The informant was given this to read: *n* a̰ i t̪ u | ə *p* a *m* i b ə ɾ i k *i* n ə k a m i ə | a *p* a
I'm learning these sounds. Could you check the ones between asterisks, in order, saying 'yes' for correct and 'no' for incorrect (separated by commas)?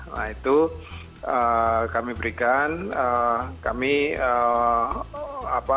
yes, no, yes, no, yes